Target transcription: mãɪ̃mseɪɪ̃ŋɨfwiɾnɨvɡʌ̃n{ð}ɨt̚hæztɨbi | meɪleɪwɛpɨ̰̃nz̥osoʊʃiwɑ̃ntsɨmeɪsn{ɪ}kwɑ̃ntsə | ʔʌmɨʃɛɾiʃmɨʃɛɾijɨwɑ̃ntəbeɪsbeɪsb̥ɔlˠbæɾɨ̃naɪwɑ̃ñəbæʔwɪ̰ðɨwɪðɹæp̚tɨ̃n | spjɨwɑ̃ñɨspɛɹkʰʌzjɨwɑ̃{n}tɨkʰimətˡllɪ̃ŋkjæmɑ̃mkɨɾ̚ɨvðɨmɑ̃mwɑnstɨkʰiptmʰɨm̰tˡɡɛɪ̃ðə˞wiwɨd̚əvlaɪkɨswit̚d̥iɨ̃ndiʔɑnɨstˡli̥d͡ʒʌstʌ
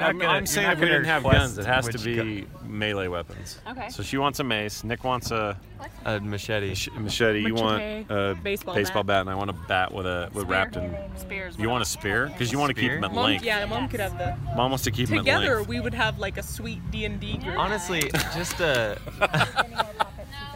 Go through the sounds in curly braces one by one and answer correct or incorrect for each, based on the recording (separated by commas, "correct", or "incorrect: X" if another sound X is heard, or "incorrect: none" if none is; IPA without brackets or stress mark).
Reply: incorrect: z, correct, correct